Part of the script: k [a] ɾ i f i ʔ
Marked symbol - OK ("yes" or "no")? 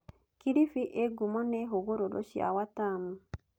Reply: no